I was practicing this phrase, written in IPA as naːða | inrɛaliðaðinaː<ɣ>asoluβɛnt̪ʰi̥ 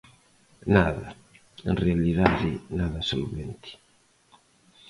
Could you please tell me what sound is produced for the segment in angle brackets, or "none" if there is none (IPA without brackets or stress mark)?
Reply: ð